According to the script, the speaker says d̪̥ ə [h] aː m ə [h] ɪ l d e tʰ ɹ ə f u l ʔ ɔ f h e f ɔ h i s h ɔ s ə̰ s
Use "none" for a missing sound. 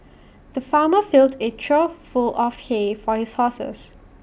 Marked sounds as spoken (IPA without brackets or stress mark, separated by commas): f, f